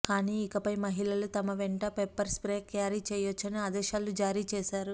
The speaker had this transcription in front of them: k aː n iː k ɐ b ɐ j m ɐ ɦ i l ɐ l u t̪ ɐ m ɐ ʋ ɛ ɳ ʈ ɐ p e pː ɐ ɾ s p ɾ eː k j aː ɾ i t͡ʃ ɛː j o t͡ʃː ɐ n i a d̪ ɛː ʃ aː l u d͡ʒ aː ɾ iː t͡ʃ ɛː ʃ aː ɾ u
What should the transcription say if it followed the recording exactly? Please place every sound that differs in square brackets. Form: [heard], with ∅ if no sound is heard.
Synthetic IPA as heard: k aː n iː k ɐ [p] ɐ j m ɐ ɦ i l ɐ l u t̪ ɐ m ɐ ʋ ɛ ɳ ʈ ɐ p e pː ɐ ɾ s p ɾ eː k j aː ɾ i t͡ʃ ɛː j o t͡ʃː ɐ n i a d̪ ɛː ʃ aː l u d͡ʒ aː ɾ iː t͡ʃ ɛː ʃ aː ɾ u